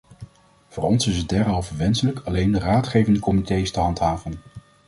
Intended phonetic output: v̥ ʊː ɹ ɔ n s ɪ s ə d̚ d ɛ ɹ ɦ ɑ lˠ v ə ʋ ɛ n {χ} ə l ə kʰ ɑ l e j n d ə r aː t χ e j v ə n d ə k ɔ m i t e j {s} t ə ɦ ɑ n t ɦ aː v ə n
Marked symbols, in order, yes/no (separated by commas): no, yes